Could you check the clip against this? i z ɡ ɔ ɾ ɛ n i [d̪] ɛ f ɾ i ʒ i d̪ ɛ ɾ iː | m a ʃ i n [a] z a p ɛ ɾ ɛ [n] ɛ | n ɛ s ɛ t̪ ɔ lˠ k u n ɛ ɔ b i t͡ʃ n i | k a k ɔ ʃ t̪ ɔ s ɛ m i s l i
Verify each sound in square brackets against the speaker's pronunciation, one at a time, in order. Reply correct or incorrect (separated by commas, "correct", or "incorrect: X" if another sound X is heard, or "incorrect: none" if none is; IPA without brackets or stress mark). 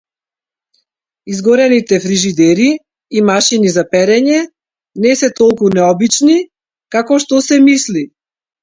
incorrect: t̪, incorrect: i, incorrect: ɲ